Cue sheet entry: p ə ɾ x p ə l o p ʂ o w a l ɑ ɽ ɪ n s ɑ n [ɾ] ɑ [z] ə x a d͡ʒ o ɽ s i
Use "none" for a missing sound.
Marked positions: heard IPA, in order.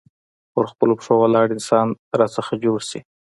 ɾ, s

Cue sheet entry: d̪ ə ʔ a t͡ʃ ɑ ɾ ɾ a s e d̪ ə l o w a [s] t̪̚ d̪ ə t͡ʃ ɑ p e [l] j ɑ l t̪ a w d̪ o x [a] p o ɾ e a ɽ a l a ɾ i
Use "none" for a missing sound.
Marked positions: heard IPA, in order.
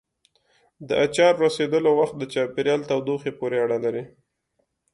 x, ɾ, e

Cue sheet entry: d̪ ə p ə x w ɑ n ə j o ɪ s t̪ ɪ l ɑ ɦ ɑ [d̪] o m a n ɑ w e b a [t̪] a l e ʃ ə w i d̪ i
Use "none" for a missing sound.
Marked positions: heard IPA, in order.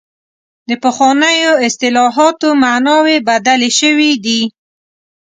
t̪, d̪

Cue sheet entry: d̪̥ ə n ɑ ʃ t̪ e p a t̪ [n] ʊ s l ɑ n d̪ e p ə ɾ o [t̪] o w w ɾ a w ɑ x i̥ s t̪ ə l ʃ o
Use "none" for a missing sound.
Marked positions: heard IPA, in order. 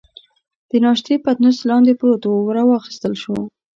n, t̪

